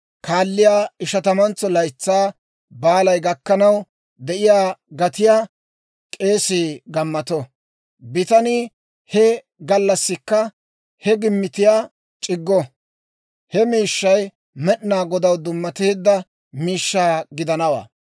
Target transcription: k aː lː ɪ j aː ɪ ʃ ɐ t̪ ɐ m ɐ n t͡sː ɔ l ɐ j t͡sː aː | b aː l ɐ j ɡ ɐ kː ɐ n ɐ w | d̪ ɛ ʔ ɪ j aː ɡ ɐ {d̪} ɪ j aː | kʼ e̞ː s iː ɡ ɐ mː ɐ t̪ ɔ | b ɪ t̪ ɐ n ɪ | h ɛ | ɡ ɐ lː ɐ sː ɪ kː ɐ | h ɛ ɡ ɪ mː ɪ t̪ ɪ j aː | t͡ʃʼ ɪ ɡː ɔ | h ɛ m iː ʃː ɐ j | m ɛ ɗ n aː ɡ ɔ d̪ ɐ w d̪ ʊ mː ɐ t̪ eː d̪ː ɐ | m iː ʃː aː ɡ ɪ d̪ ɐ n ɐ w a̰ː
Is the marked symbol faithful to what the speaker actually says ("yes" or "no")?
no